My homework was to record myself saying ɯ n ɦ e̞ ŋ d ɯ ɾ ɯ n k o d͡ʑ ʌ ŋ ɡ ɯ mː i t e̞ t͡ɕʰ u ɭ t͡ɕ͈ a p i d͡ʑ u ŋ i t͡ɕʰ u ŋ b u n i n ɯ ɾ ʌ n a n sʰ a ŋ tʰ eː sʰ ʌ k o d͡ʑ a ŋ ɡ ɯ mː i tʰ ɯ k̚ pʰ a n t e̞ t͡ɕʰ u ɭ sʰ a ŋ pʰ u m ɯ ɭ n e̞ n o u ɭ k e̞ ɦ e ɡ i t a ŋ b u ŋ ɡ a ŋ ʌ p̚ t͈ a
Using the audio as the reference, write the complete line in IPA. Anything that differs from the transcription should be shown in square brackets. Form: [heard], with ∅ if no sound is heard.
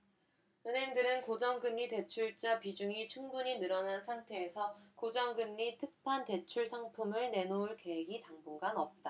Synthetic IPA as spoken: ɯ n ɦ e̞ ŋ d ɯ ɾ ɯ n k o d͡ʑ ʌ ŋ ɡ ɯ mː i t e̞ t͡ɕʰ u ɭ t͡ɕ͈ a p i d͡ʑ u ŋ i t͡ɕʰ u ŋ b u [ɲ] i n ɯ ɾ ʌ n a n sʰ a ŋ tʰ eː sʰ ʌ k o d͡ʑ [ʌ] ŋ ɡ ɯ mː i tʰ ɯ k̚ pʰ a n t e̞ t͡ɕʰ u ɭ sʰ a ŋ pʰ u m ɯ ɭ n e̞ n o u ɭ k e̞ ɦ e ɡ i t a ŋ b u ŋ ɡ a [n] ʌ p̚ t͈ a